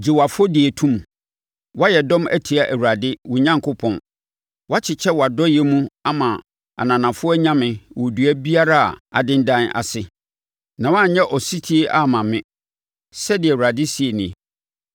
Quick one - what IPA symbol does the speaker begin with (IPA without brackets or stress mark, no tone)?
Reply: d͡ʑ